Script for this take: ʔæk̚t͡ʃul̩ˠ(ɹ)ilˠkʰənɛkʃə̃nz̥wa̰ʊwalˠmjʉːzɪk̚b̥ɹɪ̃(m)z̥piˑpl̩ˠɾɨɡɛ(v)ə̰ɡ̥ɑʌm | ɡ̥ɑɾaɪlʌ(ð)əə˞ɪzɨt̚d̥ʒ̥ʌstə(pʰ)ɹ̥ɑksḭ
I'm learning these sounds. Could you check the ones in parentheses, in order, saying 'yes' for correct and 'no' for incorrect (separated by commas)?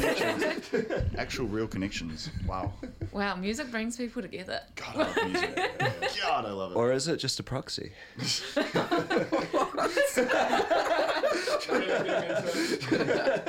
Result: yes, no, no, no, yes